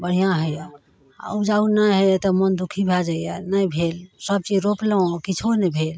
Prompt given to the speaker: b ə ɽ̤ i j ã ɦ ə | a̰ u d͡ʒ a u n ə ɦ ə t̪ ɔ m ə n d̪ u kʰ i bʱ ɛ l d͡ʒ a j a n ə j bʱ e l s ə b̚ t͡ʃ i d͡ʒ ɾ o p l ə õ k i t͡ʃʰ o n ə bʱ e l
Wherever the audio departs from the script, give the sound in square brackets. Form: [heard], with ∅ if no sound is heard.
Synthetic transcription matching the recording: b ə ɽ̤ i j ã ɦ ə | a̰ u d͡ʒ a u n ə ɦ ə t̪ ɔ m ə n d̪ u kʰ i bʱ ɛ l d͡ʒ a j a n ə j bʱ e l s ə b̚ t͡ʃ i d͡ʒ ɾ o p l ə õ k i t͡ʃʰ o n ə bʱ e l